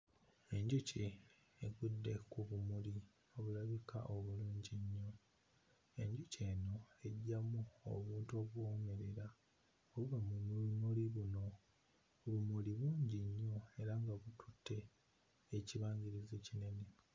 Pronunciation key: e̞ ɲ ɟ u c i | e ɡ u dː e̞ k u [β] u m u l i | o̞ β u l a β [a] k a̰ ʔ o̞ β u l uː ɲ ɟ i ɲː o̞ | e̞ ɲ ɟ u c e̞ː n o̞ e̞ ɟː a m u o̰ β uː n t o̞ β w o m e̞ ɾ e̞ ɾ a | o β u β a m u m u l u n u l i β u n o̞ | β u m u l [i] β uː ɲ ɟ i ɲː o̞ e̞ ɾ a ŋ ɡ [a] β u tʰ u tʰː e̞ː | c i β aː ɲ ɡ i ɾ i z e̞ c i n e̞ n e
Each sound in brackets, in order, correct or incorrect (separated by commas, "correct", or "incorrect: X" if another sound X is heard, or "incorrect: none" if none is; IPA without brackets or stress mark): correct, incorrect: i, correct, correct